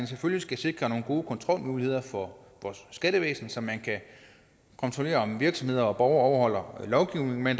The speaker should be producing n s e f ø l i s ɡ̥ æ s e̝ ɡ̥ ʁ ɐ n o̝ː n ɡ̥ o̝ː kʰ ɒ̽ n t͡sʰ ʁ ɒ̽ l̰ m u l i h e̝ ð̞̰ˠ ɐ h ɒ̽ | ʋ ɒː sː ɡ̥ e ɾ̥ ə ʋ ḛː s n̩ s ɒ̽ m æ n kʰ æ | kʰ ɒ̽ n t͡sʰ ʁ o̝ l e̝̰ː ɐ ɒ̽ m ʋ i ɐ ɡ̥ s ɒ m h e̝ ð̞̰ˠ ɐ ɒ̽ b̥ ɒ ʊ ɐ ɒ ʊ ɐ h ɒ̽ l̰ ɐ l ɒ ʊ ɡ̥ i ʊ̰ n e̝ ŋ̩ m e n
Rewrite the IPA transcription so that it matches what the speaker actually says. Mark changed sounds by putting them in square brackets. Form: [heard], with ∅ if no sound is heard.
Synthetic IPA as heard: n s e f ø l i s ɡ̥ æ s e̝ ɡ̥ ʁ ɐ n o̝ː n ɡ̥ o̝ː kʰ ɒ̽ n t͡sʰ ʁ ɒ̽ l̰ m [uː] l i h e̝ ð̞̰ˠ ɐ [f] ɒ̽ | ʋ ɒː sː ɡ̥ [æ] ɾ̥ ə ʋ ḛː s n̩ s ɒ̽ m æ n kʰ æ | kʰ ɒ̽ n t͡sʰ ʁ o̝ l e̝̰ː ɐ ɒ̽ m ʋ i ɐ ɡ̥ s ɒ m h e̝ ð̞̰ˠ ɐ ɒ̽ b̥ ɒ ʊ ɐ ɒ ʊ ɐ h ɒ̽ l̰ ɐ l ɒ ʊ ɡ̥ i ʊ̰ n e̝ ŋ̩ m e n